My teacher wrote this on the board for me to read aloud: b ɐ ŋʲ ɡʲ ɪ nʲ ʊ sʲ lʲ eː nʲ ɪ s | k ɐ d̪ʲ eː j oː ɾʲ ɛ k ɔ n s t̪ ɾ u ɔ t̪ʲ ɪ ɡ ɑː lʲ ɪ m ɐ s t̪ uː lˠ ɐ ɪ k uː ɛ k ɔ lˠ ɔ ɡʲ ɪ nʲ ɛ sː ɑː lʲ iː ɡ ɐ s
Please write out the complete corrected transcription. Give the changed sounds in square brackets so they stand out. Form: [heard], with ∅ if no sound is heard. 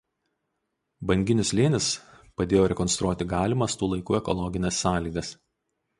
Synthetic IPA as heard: b ɐ ŋʲ ɡʲ ɪ nʲ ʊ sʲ lʲ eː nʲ ɪ s | [p] ɐ d̪ʲ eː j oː ɾʲ ɛ k ɔ n s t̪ ɾ u ɔ t̪ʲ ɪ ɡ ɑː lʲ ɪ m ɐ s t̪ uː lˠ ɐ ɪ k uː ɛ k ɔ lˠ ɔ ɡʲ ɪ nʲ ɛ sː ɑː lʲ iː ɡ ɐ s